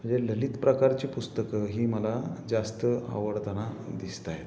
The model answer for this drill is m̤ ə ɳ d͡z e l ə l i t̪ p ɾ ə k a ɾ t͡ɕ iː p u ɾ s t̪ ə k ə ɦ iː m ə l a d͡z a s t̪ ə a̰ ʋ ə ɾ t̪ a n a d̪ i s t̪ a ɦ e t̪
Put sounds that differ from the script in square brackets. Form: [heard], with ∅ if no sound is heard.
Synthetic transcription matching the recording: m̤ ə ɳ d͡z e l ə l i t̪ p ɾ ə k a ɾ t͡ɕ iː p u [∅] s t̪ ə k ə ɦ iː m ə l a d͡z a s t̪ ə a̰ ʋ ə [ɽ] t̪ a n a d̪ i s t̪ a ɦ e t̪